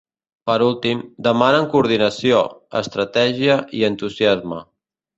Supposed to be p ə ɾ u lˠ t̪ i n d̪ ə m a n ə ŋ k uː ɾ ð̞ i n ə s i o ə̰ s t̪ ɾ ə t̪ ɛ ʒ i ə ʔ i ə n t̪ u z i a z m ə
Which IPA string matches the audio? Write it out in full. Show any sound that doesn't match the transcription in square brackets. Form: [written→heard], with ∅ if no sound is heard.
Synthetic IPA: p ə ɾ u lˠ t̪ i [n→m] d̪ ə m a n ə ŋ k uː ɾ ð̞ i n ə s i o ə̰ s t̪ ɾ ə t̪ ɛ ʒ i ə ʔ i ə n t̪ u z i a z m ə